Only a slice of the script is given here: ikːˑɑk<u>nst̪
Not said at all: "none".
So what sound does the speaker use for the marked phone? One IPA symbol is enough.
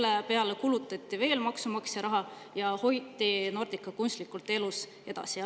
u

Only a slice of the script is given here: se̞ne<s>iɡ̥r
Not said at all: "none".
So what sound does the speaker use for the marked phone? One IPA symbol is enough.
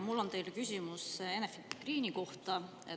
f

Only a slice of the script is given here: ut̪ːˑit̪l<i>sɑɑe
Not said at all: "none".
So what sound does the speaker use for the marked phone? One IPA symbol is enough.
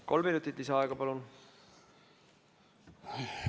i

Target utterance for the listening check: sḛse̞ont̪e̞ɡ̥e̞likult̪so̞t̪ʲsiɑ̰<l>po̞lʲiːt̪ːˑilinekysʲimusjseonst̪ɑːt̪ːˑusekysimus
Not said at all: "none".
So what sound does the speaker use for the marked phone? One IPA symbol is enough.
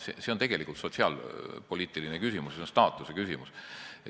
l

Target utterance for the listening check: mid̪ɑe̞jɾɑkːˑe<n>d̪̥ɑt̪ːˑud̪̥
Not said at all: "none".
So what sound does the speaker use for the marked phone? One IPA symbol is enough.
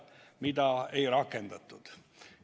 n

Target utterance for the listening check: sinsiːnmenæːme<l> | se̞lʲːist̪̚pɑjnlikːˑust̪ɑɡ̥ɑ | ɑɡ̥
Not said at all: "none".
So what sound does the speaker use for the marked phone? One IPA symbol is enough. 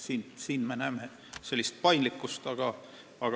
none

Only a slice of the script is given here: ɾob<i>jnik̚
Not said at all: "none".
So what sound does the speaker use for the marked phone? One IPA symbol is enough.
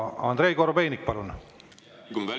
e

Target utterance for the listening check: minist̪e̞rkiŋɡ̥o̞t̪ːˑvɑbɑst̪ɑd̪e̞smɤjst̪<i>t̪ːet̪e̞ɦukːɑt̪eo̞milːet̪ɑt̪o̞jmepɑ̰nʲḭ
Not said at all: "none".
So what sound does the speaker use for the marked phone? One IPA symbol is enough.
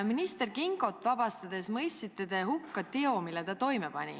i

